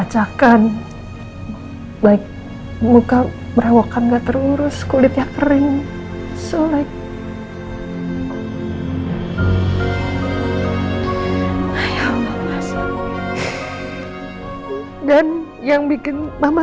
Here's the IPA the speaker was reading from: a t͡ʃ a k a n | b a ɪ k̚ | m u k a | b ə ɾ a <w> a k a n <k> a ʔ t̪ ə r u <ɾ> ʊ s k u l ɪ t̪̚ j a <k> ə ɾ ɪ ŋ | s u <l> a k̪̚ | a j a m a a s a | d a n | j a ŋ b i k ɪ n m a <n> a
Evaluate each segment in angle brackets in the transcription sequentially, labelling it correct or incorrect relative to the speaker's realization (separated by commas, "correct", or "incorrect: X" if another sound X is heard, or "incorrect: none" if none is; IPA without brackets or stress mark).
correct, incorrect: ɡ, correct, correct, correct, incorrect: m